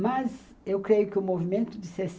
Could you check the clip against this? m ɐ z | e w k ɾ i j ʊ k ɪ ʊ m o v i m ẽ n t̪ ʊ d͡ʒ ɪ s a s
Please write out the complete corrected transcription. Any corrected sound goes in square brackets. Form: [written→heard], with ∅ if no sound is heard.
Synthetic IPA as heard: m ɐ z | e w k ɾ [i→e] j ʊ k ɪ ʊ m o v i m ẽ n t̪ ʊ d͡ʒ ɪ s [a→e] s